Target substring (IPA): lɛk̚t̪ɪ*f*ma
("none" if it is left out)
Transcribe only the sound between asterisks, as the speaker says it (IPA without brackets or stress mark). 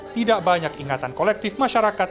f